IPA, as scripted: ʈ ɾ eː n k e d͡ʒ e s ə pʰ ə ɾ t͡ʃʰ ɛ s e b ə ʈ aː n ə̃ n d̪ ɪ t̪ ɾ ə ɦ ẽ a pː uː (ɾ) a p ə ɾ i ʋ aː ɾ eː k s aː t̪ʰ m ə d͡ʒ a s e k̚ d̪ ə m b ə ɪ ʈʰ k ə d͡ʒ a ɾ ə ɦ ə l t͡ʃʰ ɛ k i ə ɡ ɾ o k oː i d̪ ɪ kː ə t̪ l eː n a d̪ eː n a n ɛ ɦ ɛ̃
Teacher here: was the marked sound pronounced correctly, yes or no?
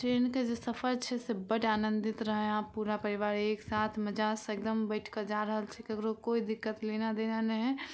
yes